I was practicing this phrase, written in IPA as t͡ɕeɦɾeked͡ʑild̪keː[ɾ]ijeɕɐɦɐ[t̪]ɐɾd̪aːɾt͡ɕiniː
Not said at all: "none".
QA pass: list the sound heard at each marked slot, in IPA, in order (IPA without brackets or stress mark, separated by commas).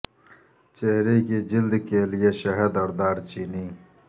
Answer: l, d̪